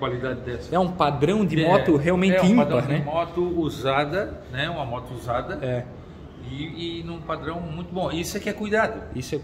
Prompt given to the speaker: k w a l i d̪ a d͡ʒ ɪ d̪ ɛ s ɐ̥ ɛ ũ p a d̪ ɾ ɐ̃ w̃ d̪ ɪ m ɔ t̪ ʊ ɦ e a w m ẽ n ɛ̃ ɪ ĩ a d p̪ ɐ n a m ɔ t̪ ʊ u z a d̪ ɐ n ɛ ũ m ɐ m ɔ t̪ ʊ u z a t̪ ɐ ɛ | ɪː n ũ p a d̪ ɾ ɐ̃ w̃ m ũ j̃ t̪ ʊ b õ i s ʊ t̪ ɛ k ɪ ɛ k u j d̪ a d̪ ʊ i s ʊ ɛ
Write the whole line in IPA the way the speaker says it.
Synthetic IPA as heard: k w a l i d̪ a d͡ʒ ɪ d̪ ɛ s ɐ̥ ɛ ũ p a d̪ ɾ ɐ̃ w̃ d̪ ɪ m ɔ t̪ ʊ ɦ e a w m ẽ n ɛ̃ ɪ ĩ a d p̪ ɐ n ɛ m ɔ t̪ ʊ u z a d̪ ɐ n ɛ ũ m ɐ m ɔ t̪ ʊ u z a d̪ ɐ ɛ | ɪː n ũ p a d̪ ɾ ɐ̃ w̃ m ũ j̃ t̪ ʊ b õ i s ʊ ɛ k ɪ ɛ k u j d̪ a d̪ ʊ i s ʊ ɛ